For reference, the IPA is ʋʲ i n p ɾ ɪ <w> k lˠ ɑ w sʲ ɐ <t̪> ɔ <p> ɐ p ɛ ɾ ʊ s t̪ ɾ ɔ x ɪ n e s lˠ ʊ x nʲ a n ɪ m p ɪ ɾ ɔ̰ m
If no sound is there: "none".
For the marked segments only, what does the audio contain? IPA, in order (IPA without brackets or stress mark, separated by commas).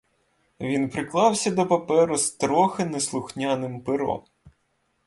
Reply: none, d̪, p